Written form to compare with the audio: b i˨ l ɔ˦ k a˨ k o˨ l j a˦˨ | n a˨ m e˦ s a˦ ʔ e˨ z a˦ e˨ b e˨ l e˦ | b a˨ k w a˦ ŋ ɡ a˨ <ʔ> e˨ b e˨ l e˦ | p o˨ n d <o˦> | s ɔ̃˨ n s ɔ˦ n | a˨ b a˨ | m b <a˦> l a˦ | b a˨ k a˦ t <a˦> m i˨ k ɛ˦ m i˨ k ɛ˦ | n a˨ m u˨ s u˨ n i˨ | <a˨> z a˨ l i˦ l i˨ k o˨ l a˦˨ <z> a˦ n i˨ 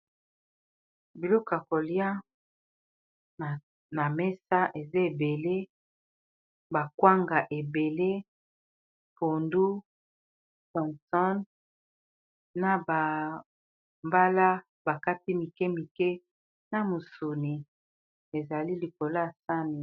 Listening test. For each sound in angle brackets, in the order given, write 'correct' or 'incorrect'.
correct, incorrect: u˦, correct, incorrect: i˦, incorrect: e˨, incorrect: s

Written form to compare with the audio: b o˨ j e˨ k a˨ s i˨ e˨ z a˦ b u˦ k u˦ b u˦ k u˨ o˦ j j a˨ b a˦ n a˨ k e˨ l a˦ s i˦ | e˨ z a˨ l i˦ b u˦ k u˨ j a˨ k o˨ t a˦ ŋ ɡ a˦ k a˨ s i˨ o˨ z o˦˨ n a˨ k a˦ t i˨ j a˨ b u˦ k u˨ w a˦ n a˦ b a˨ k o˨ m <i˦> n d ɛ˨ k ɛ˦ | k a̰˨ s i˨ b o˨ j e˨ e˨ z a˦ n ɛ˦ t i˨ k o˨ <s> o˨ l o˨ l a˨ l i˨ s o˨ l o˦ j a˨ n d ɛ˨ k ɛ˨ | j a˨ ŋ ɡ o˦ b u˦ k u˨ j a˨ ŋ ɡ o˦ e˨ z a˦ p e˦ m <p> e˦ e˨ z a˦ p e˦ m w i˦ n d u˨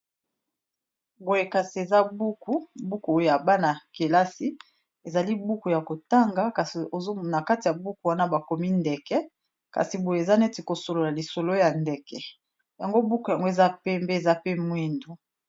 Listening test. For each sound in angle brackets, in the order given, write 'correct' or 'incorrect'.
correct, correct, incorrect: b

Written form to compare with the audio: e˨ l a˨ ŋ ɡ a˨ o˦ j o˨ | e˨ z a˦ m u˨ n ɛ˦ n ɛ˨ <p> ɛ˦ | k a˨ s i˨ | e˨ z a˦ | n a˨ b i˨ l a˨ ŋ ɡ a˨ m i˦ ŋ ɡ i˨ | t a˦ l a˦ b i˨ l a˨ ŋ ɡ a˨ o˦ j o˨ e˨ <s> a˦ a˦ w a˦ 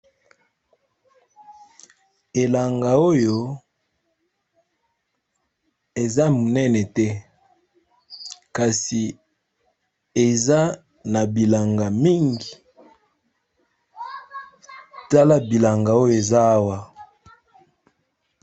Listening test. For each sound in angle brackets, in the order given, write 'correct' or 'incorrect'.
incorrect: t, incorrect: z

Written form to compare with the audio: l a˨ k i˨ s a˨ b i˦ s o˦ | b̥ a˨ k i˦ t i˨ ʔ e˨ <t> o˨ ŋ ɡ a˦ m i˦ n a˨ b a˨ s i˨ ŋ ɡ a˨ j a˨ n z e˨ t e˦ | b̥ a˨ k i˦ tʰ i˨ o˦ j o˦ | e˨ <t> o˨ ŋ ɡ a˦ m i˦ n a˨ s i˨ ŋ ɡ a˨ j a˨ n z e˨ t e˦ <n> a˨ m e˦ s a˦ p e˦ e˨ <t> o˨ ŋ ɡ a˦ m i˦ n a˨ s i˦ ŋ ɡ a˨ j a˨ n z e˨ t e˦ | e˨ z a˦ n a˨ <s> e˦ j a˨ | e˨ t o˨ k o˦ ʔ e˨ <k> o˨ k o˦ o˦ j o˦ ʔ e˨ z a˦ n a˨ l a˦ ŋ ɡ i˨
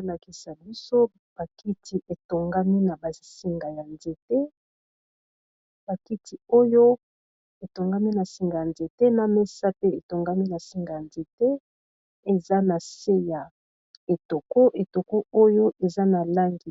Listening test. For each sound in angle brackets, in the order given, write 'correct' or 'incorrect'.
correct, correct, correct, correct, correct, incorrect: t

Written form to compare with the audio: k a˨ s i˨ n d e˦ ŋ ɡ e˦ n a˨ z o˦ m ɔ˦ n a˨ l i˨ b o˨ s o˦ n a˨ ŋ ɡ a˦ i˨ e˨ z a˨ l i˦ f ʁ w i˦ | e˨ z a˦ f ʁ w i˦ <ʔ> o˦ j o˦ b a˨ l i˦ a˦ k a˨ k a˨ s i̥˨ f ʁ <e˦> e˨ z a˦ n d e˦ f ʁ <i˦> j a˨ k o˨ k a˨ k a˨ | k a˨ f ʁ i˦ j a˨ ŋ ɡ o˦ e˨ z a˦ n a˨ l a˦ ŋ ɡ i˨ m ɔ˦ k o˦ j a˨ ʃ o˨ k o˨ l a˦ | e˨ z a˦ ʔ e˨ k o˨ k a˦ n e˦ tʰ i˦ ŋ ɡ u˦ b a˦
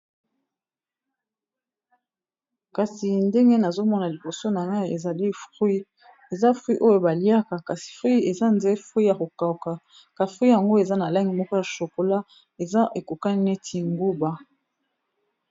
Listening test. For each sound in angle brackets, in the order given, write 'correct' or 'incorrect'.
correct, incorrect: i˦, correct

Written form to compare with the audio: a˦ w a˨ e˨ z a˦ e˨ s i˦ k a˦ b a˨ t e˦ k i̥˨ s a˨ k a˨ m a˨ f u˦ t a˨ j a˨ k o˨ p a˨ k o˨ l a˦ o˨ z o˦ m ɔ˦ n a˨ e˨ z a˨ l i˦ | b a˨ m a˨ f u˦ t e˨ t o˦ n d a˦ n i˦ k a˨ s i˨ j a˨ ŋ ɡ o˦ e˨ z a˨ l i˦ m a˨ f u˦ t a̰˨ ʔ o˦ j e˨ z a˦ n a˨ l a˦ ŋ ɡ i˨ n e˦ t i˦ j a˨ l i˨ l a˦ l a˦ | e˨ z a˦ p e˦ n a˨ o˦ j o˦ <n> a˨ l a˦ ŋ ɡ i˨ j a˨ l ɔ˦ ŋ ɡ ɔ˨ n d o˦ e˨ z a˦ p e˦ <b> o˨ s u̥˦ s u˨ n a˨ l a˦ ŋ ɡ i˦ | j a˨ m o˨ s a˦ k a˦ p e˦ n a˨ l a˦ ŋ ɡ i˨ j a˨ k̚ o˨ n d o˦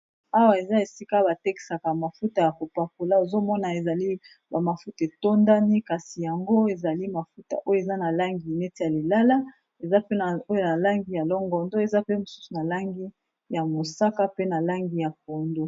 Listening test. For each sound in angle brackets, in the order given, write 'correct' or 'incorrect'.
correct, incorrect: m

